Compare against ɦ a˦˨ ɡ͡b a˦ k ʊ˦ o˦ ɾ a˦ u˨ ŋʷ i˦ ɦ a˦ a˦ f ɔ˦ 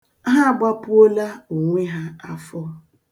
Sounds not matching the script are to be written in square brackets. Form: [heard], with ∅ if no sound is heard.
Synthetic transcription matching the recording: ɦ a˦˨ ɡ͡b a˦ [p] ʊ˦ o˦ [l] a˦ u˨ ŋʷ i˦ ɦ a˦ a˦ f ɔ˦